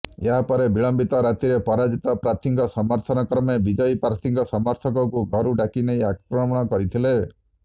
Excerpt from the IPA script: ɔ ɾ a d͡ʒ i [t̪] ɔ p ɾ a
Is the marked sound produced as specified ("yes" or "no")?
yes